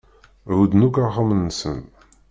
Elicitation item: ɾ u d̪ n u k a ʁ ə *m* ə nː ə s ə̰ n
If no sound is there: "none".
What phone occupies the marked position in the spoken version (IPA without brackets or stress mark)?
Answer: m